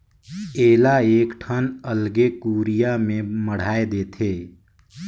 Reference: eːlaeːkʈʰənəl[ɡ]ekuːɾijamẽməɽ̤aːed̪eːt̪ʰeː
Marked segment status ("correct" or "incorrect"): correct